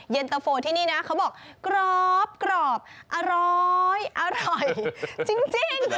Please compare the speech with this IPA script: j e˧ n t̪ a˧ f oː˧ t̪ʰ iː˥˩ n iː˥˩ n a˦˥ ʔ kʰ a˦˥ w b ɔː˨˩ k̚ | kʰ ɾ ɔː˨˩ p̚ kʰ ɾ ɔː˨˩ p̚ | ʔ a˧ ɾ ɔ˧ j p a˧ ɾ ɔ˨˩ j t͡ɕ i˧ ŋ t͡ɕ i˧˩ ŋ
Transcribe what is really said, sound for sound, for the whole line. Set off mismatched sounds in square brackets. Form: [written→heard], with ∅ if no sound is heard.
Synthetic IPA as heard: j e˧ n t̪ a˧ f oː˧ t̪ʰ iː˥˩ n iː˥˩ n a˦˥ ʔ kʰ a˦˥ w b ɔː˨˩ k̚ | [kʰ→k] ɾ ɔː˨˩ p̚ [kʰ→k] ɾ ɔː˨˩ p̚ | ʔ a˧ ɾ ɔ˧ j [p→ʔ] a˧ ɾ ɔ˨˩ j t͡ɕ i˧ ŋ t͡ɕ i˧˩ ŋ